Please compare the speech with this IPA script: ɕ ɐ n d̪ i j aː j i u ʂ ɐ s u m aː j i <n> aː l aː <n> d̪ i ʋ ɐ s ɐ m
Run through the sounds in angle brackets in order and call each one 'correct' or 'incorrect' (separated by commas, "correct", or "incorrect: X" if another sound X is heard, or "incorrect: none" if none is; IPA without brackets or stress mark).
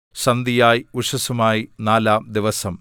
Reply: correct, incorrect: m